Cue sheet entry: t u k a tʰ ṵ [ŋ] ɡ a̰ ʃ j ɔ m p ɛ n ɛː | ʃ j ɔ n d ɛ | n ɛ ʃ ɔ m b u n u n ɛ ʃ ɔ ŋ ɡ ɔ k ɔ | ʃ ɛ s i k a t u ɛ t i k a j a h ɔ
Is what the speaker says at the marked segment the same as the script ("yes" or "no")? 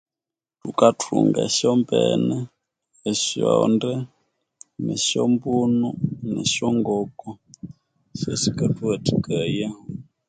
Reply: yes